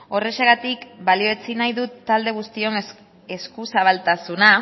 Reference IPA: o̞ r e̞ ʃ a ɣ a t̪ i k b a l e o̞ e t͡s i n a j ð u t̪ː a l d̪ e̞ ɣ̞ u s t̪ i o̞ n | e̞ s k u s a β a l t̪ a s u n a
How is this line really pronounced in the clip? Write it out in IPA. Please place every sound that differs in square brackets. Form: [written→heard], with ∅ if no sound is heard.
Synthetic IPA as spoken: o̞ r e̞ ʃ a ɣ a t̪ i k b a l [e→i] o̞ e t͡s i n a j ð u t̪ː a l d̪ e̞ ɣ̞ u s t̪ i o̞ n | e̞ s k u s a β a l t̪ a s u n a

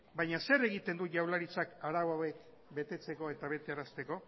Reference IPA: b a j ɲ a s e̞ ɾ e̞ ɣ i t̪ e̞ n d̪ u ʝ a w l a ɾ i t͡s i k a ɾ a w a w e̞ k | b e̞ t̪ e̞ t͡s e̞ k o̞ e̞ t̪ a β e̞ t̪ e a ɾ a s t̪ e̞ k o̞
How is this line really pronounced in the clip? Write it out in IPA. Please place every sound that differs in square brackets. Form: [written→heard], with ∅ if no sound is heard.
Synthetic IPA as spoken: b a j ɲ a s e̞ ɾ e̞ ɣ i t̪ e̞ n d̪ u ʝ a w l a ɾ i t͡s [i→a] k a ɾ a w a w e̞ k | b e̞ t̪ e̞ t͡s e̞ k o̞ e̞ t̪ a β e̞ t̪ e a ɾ a s t̪ e̞ k o̞

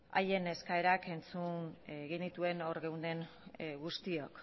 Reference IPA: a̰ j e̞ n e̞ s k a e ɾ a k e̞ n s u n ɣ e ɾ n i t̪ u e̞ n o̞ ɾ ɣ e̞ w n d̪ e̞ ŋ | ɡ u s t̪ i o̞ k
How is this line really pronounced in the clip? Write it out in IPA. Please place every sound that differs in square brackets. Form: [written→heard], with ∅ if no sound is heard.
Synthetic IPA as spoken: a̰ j e̞ n e̞ s k a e ɾ a k e̞ n [s→t͡s] u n ɣ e [ɾ→∅] n i t̪ u e̞ n o̞ ɾ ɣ e̞ w n d̪ e̞ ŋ | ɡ u s t̪ i o̞ k

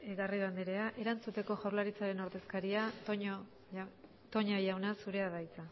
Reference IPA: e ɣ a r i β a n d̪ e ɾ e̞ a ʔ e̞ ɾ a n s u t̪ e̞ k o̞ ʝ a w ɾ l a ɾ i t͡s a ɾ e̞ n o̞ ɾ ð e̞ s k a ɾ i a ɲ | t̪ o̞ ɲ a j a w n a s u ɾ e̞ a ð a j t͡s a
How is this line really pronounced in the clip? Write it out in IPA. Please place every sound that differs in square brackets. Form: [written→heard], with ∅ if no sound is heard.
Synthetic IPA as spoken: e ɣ a r i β a n d̪ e ɾ e̞ a ʔ e̞ ɾ a n [s→t͡s] u t̪ e̞ k o̞ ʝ a w ɾ l a ɾ i t͡s a ɾ e̞ n o̞ ɾ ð e̞ s k a ɾ i a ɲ | t̪ o̞ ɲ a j a w n a s u ɾ e̞ a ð a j t͡s a

